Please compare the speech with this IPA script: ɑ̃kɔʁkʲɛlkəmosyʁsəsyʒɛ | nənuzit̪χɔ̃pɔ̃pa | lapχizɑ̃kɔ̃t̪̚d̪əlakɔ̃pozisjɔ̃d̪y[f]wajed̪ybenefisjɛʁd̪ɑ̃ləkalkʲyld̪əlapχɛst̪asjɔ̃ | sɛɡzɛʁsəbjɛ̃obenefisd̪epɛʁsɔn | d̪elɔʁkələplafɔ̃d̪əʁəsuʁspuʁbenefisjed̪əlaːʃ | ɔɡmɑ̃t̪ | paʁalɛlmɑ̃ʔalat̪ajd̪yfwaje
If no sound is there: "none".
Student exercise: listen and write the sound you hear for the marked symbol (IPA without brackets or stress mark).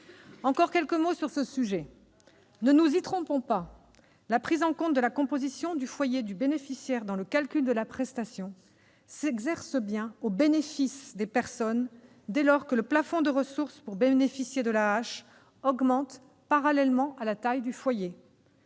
f